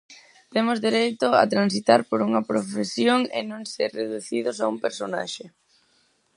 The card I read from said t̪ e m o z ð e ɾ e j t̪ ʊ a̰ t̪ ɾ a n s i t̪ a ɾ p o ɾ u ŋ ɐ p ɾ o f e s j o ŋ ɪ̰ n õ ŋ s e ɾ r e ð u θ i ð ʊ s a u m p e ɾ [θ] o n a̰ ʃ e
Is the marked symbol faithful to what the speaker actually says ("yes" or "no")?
no